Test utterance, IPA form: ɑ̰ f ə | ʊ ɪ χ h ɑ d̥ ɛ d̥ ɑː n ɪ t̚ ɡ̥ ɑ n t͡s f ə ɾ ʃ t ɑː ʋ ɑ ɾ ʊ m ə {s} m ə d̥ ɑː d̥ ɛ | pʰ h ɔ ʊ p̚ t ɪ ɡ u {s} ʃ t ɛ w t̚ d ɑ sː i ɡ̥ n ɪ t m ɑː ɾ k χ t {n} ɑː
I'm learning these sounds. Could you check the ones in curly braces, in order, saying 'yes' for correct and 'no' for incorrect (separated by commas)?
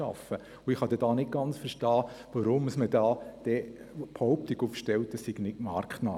yes, no, yes